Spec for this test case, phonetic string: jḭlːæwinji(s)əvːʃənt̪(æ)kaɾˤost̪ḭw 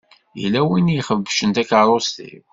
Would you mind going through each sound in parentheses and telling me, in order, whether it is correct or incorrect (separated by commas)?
incorrect, correct